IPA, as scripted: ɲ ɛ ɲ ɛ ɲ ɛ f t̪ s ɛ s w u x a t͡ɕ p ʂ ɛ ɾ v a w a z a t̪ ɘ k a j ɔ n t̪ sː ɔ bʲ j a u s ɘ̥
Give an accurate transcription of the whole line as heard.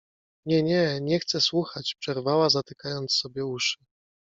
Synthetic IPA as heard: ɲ ɛ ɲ ɛ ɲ ɛ x t̪ s ɛ s w u x a t͡ɕ p ʂ ɛ ɾ v a w a z a t̪ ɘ k a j ɔ n t̪ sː ɔ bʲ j ɛ u ʂ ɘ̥